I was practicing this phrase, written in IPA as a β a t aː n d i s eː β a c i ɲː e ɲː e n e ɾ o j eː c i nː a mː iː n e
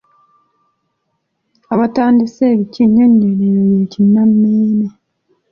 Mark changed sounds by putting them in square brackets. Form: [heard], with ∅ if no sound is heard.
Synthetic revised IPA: a β a t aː n d i s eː β [i] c i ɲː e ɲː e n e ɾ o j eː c i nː a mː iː n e